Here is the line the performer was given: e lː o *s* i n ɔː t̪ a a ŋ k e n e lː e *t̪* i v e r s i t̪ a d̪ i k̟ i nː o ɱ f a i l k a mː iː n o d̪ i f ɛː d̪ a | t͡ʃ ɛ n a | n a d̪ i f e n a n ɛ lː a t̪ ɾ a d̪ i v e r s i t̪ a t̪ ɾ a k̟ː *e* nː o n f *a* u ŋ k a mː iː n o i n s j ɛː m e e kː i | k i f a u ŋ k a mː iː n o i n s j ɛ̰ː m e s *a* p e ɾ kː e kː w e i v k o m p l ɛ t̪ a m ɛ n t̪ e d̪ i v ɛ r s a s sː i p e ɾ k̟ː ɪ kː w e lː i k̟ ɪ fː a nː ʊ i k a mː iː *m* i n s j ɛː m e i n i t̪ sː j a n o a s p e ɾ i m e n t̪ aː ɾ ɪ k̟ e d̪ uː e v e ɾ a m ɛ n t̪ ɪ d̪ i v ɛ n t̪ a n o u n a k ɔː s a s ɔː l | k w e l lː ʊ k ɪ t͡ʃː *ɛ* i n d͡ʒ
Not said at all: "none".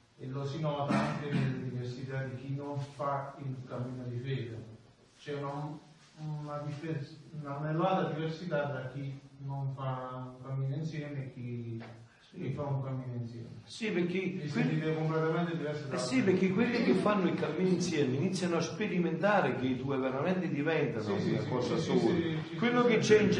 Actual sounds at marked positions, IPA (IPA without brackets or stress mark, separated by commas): s, d̪, i, a, i, n, ɛ